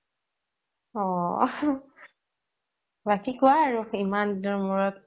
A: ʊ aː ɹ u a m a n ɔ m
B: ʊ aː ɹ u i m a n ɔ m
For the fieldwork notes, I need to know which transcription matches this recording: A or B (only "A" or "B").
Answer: B